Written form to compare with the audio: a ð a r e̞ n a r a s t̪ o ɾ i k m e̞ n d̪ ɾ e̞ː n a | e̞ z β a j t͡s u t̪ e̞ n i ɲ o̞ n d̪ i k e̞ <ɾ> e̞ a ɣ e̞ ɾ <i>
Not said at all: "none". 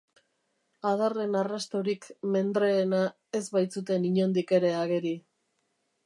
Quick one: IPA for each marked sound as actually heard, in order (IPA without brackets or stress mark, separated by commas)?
ɾ, i